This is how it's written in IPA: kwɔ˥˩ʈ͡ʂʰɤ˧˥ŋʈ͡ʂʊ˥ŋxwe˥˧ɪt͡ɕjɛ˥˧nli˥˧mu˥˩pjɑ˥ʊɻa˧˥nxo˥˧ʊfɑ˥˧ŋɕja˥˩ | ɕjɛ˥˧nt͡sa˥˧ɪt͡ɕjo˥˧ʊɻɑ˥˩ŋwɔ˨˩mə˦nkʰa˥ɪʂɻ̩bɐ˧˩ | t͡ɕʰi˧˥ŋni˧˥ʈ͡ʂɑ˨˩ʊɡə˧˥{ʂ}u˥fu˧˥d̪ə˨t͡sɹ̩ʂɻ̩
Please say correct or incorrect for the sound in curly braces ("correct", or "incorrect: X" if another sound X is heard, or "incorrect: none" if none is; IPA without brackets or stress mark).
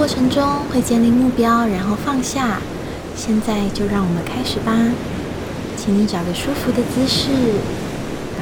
correct